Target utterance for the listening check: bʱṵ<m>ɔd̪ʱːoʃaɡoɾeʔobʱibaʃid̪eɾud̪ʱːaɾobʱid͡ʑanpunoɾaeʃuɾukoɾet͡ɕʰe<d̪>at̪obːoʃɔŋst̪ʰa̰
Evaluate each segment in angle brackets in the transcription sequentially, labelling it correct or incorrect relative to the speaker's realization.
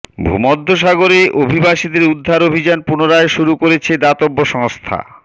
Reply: correct, correct

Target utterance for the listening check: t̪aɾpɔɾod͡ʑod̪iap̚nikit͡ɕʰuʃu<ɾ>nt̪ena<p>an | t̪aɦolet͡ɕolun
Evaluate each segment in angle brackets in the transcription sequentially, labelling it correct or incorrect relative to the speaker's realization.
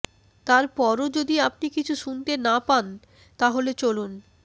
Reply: incorrect: none, correct

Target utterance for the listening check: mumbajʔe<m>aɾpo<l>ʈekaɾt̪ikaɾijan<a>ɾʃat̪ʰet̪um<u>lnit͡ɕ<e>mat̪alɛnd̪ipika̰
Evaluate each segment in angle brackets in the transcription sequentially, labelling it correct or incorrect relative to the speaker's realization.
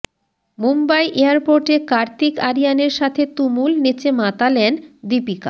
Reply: incorrect: none, incorrect: ɾ, incorrect: e, correct, correct

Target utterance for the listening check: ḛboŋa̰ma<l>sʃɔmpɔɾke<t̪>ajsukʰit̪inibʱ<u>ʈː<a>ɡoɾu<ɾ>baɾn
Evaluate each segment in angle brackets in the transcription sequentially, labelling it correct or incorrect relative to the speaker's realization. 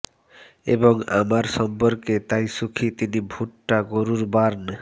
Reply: incorrect: ɾ, correct, correct, correct, correct

